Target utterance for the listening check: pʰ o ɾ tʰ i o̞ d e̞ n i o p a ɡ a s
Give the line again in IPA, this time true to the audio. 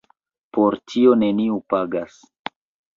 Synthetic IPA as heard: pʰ o ɾ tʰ i o̞ n e̞ n i u p a ɡ a s